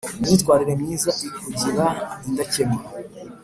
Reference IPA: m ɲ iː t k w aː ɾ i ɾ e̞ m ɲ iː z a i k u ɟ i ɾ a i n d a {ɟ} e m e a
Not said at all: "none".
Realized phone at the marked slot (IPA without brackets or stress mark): c